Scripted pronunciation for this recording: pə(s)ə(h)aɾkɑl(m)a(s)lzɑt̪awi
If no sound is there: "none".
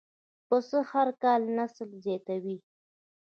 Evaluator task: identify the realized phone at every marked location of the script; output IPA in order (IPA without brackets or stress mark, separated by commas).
s, h, n, s